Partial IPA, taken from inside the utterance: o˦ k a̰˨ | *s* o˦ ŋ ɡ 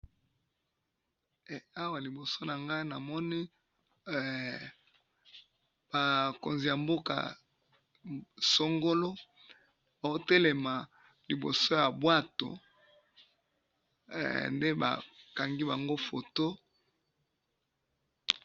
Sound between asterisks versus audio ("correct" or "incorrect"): correct